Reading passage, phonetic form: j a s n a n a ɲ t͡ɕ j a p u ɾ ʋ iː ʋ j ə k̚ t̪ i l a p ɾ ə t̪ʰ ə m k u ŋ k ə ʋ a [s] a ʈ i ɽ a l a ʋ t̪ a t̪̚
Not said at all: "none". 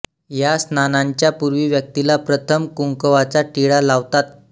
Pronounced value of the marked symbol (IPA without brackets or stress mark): t͡s